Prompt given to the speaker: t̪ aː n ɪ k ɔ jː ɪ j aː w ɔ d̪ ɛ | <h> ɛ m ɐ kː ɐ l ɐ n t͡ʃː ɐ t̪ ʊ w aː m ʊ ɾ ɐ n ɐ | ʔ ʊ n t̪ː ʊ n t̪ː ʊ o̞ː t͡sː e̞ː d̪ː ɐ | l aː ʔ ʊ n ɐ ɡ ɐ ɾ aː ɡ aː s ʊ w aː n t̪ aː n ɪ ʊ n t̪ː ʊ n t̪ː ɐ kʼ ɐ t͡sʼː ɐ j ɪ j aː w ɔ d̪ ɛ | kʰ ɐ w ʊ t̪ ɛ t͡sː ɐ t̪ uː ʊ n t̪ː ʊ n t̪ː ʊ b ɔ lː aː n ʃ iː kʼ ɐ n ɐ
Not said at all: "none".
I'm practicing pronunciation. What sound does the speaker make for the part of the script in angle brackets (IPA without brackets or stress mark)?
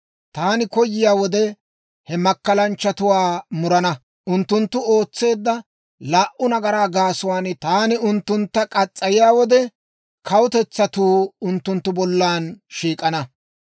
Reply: h